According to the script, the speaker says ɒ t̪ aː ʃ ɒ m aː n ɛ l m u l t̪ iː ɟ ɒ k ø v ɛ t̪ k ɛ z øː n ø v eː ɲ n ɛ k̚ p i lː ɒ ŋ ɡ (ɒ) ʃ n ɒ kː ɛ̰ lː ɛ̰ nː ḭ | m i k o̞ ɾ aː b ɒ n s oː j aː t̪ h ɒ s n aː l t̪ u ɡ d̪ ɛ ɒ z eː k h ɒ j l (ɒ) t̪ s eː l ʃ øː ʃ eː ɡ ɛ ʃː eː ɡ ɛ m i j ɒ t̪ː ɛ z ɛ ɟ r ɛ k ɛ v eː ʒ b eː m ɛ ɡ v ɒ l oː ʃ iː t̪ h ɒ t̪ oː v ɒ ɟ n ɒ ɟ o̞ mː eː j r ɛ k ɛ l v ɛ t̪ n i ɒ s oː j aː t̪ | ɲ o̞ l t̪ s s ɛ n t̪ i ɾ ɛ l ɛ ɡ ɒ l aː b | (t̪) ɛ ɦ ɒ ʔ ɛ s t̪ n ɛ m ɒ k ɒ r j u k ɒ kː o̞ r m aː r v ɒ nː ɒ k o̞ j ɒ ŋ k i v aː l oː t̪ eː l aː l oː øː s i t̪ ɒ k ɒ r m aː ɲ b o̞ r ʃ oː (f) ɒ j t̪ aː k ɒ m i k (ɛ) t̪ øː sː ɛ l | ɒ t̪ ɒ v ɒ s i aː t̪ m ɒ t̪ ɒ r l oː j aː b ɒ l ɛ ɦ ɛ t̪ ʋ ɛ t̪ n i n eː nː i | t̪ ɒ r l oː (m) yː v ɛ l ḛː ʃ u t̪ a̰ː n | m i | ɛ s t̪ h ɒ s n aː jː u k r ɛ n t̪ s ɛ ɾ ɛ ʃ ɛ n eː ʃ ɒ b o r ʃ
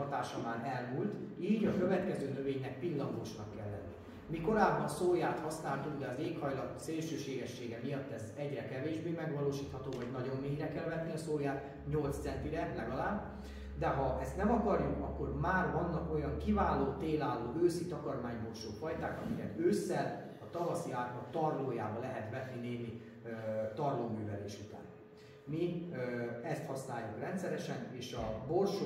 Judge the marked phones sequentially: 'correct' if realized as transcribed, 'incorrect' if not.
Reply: incorrect: o, correct, incorrect: d̪, correct, correct, correct

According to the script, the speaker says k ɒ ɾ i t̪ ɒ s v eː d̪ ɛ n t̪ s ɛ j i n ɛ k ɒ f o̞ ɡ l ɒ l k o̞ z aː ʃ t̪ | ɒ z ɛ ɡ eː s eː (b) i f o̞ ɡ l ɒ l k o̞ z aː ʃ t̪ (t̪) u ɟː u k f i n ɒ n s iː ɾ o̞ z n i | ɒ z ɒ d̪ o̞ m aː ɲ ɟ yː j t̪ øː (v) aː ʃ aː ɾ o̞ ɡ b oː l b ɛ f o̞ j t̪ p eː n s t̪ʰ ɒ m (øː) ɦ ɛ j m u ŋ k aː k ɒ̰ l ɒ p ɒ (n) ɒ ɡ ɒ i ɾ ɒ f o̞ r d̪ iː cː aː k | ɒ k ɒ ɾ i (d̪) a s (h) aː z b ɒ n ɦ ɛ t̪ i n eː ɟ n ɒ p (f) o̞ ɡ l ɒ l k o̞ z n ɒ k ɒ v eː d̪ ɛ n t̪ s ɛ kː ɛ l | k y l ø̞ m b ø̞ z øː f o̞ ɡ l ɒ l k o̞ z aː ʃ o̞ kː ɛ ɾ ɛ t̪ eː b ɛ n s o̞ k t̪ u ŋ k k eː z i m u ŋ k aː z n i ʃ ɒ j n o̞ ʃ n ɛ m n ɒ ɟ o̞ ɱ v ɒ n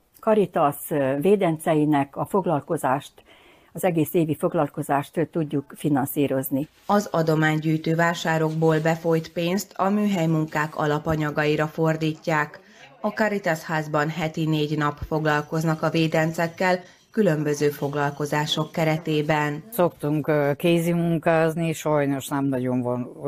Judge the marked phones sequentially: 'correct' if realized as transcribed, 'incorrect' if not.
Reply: incorrect: v, correct, correct, incorrect: yː, incorrect: ɲ, incorrect: t̪, correct, correct

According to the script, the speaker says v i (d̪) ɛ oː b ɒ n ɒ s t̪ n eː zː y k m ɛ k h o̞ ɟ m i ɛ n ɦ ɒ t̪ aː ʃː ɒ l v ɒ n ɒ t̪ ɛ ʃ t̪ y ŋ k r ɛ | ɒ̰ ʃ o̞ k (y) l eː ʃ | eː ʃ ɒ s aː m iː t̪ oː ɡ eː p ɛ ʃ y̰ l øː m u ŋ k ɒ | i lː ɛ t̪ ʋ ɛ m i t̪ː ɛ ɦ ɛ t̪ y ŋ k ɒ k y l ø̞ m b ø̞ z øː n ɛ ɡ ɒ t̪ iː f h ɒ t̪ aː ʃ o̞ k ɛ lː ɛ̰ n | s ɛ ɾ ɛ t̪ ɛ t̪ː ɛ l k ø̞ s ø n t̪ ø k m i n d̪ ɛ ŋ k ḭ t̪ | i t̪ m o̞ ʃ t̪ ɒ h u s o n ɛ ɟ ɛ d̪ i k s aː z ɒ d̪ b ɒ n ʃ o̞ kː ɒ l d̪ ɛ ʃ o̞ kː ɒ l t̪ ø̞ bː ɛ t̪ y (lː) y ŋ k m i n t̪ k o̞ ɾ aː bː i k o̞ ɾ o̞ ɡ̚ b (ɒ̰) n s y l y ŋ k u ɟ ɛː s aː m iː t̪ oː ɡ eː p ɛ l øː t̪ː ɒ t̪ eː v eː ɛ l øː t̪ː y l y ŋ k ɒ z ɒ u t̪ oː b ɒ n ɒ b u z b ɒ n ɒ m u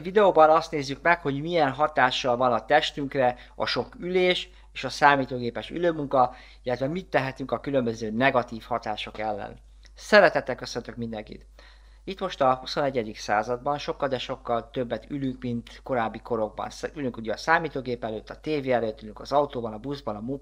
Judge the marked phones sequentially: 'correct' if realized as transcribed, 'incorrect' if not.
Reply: correct, correct, incorrect: l, correct

